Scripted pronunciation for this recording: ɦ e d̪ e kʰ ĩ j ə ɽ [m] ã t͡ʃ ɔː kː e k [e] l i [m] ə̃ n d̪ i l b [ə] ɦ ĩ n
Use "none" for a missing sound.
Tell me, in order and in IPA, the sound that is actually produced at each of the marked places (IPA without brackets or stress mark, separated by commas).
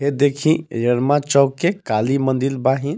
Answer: m, a, m, a